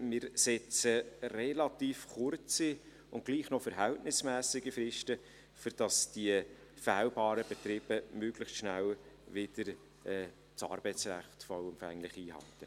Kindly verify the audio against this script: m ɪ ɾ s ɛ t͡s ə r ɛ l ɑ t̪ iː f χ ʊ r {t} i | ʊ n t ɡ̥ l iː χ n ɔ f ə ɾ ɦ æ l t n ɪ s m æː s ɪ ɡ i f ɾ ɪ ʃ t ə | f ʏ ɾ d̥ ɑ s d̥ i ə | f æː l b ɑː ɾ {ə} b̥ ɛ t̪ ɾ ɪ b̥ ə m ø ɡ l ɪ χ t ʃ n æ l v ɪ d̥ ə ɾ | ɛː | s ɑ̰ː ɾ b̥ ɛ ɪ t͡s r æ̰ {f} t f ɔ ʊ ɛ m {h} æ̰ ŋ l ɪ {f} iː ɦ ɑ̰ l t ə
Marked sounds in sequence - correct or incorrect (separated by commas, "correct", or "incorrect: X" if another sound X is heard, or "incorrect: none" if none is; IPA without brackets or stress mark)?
incorrect: t͡s, correct, incorrect: χ, incorrect: f, incorrect: χ